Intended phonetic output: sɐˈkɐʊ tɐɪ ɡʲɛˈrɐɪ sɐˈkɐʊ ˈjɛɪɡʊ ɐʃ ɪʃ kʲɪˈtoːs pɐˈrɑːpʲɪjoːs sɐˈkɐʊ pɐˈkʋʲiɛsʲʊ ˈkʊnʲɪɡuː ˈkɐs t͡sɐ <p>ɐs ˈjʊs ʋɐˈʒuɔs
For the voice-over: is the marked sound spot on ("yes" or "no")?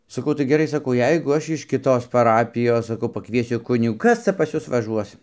yes